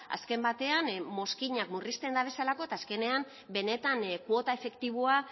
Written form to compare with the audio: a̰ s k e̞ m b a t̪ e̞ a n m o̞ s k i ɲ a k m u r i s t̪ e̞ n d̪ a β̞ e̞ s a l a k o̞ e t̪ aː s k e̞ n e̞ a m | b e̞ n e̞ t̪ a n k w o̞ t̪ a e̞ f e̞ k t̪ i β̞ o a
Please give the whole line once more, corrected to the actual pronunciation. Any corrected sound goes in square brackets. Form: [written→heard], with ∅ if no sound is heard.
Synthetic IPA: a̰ s k e̞ m b a t̪ e̞ a n m o̞ s k i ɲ a k m u r i s t̪ e̞ n d̪ a β̞ e̞ s a l a k o̞ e t̪ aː s k e̞ n e̞ a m | b e̞ n e̞ t̪ a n k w o̞ t̪ a e̞ f e̞ k t̪ i β̞ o a